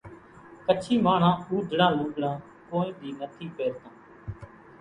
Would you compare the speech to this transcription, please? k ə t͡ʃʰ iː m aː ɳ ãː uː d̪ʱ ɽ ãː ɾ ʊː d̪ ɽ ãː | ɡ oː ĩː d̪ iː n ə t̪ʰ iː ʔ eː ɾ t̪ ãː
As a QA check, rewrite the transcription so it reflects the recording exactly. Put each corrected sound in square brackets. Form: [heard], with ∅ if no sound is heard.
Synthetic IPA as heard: k ə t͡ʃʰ iː m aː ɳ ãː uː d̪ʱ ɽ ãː [l] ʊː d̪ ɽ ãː | [k] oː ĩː d̪ iː n ə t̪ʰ iː [p] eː ɾ t̪ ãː